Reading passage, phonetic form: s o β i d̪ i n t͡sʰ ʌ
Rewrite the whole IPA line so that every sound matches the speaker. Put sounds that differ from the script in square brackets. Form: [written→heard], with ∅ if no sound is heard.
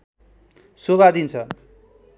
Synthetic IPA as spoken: s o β [i→a] d̪ i n t͡sʰ ʌ